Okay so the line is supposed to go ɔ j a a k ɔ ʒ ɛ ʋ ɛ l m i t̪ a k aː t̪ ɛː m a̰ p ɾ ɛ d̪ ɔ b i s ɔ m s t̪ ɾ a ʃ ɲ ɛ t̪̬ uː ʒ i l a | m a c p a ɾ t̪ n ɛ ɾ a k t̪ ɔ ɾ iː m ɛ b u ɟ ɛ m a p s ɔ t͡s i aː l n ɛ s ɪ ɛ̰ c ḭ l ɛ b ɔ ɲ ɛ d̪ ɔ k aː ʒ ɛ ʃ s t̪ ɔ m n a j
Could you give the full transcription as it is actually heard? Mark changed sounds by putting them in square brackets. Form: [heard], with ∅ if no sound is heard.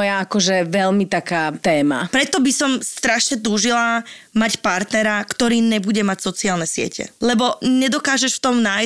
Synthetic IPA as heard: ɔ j a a k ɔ ʒ ɛ ʋ ɛ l m i t̪ a k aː t̪ ɛː m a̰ p ɾ ɛ [t̪] ɔ b i s ɔ m s t̪ ɾ a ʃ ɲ ɛ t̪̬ uː ʒ i l a | m a c p a ɾ t̪ n ɛ ɾ a k t̪ ɔ ɾ iː [ɲ] ɛ b u ɟ ɛ m a [c] s ɔ t͡s i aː l n ɛ s ɪ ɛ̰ c [ɛ̰] l ɛ b ɔ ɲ ɛ d̪ ɔ k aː ʒ ɛ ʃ [f] t̪ ɔ m n a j